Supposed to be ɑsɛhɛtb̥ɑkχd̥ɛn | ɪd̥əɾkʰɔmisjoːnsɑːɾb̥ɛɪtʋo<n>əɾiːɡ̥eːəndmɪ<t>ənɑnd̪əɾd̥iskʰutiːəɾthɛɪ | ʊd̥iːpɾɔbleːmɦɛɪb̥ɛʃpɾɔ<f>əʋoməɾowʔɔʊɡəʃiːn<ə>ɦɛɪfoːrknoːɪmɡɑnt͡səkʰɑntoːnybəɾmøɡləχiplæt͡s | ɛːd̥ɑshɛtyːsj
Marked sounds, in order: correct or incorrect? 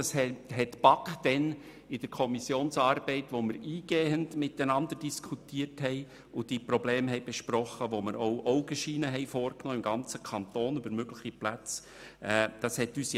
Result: incorrect: m, correct, incorrect: χ, correct

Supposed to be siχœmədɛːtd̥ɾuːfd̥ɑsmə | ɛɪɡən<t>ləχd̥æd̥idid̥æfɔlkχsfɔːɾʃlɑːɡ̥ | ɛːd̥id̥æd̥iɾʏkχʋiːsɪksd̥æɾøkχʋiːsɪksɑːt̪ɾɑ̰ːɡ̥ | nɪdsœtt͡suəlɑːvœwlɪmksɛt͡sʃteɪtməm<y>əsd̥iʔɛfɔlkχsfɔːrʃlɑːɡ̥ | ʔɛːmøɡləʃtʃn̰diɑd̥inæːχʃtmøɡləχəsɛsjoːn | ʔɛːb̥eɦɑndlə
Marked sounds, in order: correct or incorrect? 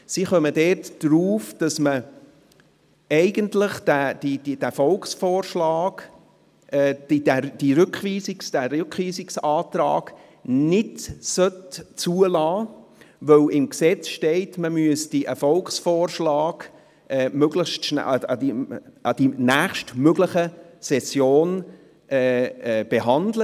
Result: correct, correct

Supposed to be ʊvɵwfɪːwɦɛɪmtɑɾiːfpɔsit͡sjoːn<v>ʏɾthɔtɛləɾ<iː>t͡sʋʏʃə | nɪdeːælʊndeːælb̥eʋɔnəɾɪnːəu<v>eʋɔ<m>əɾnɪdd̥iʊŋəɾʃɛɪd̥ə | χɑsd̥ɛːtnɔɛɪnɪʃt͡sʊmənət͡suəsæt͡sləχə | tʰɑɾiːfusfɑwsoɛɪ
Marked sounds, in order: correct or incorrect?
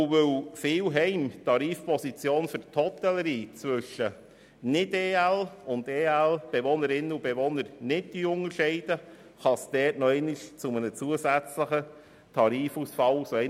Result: incorrect: f, correct, incorrect: b, incorrect: n

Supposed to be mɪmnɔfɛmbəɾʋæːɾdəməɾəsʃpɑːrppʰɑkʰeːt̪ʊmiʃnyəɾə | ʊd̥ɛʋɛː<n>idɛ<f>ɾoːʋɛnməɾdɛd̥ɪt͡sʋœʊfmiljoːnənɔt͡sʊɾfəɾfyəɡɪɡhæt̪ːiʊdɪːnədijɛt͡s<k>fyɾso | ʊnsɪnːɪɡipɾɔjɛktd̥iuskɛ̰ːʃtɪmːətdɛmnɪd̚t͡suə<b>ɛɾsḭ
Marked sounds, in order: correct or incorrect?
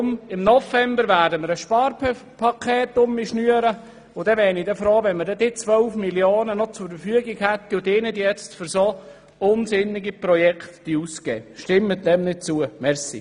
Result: correct, correct, incorrect: t, incorrect: m

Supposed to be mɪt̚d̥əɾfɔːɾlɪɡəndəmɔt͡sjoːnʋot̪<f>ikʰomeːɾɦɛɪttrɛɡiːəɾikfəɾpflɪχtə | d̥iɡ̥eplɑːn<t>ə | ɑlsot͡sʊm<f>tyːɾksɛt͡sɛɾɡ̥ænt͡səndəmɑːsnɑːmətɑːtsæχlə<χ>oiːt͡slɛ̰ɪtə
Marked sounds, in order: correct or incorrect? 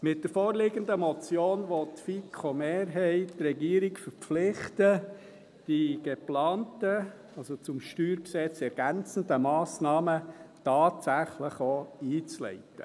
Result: correct, correct, incorrect: ʃ, correct

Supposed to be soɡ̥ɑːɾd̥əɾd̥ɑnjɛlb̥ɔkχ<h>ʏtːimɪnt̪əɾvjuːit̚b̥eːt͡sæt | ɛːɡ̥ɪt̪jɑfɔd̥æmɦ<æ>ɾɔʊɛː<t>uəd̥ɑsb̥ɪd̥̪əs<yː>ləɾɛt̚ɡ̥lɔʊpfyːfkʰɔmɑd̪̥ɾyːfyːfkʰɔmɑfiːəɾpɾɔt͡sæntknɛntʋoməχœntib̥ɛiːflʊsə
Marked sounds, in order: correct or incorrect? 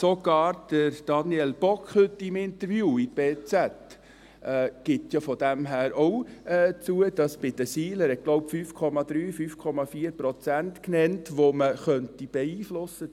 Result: correct, incorrect: æː, incorrect: t͡s, incorrect: iː

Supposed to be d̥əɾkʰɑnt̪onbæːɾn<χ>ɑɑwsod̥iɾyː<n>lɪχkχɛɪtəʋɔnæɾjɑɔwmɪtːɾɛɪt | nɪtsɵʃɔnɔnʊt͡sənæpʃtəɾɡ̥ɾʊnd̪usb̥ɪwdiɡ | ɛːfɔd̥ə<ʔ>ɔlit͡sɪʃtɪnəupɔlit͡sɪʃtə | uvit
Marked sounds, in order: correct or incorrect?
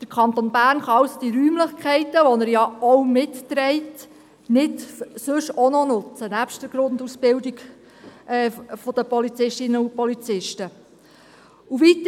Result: correct, incorrect: m, incorrect: p

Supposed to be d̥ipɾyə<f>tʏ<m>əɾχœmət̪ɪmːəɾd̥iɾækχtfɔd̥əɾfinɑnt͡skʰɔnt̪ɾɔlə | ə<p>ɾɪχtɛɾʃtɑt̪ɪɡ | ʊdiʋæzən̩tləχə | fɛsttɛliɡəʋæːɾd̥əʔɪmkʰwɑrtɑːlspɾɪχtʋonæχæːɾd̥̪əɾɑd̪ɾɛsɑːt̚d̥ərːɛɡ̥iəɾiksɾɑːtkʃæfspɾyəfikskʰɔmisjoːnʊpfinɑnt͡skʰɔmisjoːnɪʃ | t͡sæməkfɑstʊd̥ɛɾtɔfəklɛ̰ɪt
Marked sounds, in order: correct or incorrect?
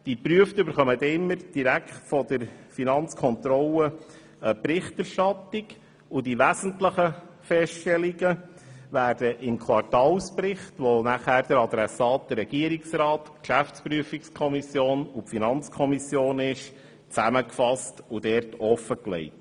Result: correct, incorrect: b, correct

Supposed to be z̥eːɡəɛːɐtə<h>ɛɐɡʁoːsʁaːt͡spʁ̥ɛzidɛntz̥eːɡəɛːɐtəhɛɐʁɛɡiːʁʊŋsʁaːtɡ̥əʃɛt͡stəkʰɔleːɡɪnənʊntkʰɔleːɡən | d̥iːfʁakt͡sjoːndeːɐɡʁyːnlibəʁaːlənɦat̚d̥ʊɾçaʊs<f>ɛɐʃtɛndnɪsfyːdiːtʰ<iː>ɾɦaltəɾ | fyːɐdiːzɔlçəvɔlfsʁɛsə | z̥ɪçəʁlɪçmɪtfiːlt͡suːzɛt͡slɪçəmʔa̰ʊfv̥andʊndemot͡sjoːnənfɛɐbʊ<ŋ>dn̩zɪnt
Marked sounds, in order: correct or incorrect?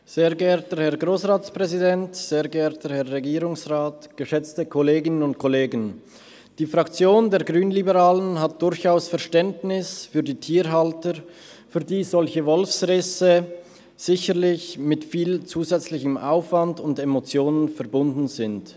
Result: correct, correct, correct, incorrect: n

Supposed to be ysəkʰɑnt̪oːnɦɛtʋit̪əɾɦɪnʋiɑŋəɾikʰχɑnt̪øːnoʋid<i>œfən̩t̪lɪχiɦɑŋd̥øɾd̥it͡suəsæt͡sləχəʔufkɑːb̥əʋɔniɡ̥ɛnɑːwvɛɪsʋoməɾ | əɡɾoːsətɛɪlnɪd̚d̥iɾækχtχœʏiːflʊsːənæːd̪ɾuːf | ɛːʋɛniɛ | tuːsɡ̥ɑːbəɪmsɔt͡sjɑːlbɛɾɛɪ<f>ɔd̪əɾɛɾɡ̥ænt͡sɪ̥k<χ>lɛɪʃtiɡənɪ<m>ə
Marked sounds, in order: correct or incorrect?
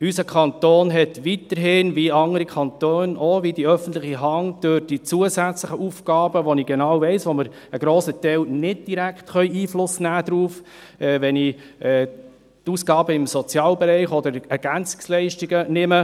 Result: correct, incorrect: χ, incorrect: s, correct

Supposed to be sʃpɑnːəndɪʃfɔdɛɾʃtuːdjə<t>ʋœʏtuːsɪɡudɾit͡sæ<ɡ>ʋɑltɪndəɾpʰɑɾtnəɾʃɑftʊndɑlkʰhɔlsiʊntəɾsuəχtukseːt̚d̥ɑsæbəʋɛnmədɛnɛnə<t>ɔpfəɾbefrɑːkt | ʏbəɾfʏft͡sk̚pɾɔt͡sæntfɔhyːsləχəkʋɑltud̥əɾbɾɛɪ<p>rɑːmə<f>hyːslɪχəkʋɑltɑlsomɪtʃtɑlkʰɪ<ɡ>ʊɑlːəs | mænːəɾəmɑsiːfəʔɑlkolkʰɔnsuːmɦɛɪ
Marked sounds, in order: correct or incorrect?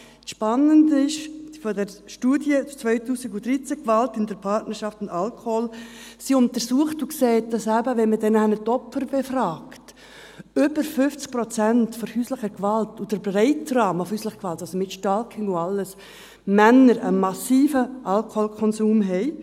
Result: incorrect: t͡s, incorrect: k, correct, incorrect: t, correct, incorrect: ŋ

